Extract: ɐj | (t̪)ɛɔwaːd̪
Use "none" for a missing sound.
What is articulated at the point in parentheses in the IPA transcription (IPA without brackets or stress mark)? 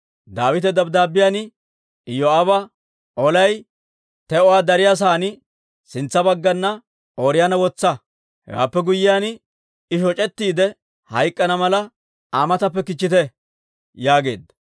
t̪